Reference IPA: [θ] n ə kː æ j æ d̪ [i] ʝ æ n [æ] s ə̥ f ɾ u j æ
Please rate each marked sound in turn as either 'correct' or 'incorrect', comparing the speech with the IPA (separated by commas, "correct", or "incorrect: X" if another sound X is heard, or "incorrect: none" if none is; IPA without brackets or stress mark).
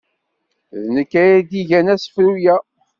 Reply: incorrect: ð, correct, correct